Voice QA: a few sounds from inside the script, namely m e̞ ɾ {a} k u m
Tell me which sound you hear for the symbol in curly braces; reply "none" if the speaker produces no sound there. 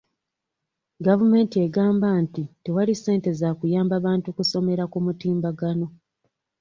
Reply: a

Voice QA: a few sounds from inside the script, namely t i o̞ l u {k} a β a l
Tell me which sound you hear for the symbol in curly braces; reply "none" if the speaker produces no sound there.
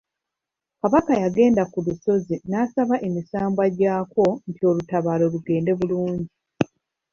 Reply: t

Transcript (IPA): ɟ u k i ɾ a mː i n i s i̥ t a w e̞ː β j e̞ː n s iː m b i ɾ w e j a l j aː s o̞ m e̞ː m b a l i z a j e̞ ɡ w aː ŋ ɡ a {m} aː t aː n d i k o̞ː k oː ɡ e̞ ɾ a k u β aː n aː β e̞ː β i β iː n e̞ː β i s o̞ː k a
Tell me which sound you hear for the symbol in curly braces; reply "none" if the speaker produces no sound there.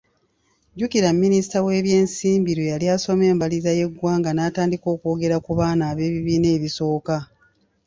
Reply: n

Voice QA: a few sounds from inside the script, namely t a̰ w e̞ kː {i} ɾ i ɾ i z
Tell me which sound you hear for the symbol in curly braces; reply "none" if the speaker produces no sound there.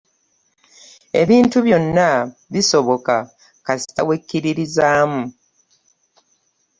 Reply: i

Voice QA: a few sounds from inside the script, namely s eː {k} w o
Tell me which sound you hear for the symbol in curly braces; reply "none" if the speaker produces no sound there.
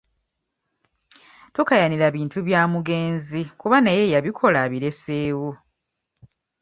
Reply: none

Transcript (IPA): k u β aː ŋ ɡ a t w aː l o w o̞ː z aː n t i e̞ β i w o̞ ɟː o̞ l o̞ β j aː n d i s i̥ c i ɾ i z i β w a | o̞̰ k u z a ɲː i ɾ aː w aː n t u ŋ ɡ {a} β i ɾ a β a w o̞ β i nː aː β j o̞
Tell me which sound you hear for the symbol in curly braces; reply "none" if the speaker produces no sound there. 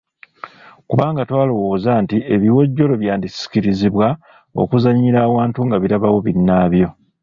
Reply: a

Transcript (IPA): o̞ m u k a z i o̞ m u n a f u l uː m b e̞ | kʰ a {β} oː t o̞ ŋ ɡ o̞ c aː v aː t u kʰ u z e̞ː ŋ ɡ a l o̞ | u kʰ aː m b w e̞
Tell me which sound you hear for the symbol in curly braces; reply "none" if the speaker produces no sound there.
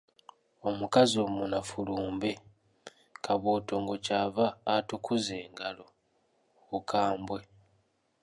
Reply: β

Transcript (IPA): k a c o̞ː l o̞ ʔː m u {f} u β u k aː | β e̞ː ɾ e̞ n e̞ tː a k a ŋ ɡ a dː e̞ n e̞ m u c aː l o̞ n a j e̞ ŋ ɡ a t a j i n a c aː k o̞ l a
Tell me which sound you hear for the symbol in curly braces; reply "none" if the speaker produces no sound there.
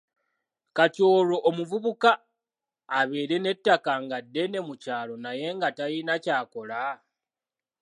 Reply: v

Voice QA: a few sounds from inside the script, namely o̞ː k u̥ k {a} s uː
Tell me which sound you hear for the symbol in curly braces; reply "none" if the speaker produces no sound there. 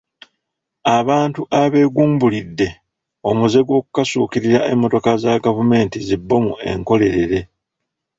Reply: a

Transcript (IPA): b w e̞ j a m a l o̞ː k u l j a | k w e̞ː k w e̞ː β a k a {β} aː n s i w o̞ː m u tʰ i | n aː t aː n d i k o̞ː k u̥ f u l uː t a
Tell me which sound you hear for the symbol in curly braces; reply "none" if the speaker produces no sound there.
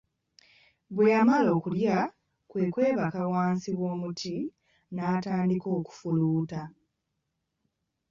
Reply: w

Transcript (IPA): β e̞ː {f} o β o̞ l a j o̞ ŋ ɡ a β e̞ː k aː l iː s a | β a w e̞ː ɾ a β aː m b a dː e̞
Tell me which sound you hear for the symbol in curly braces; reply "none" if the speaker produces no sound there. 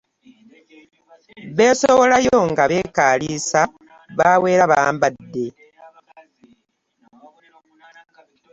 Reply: s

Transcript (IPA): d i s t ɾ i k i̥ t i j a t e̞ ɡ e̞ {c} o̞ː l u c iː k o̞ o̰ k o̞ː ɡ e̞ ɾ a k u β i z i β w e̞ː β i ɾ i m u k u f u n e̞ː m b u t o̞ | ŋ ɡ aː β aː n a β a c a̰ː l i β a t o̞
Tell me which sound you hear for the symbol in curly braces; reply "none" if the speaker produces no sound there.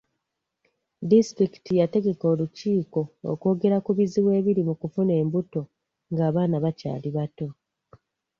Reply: k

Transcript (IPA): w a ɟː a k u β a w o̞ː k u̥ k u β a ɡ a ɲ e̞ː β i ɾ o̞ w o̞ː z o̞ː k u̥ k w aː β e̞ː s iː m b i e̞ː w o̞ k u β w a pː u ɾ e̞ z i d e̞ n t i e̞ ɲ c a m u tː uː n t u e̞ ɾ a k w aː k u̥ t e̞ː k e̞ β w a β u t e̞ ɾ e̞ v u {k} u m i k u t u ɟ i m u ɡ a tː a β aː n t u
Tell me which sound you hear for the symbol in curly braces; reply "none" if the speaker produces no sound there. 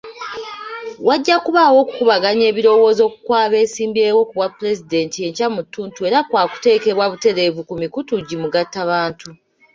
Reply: k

